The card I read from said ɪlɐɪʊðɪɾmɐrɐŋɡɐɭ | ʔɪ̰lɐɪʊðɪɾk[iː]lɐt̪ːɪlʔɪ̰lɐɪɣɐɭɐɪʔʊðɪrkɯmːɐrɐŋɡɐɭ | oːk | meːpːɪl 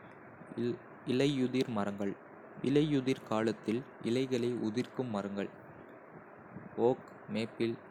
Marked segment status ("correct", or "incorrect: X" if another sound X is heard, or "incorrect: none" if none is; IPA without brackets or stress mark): incorrect: aː